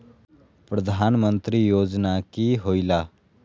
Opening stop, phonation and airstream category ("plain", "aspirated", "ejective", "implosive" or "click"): plain